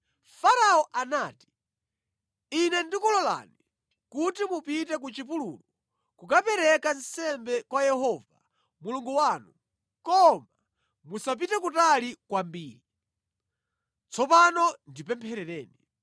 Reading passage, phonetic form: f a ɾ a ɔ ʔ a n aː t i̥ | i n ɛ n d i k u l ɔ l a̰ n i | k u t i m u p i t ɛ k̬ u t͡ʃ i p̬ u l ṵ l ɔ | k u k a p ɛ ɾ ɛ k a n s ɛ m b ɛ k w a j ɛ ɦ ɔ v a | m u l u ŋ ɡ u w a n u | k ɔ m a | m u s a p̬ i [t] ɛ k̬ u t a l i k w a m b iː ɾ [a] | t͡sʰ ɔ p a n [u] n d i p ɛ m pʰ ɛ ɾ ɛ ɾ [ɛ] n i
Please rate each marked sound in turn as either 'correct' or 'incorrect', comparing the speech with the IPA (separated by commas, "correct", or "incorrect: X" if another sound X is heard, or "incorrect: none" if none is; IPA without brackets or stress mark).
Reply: correct, incorrect: i, incorrect: ɔ, incorrect: ɛː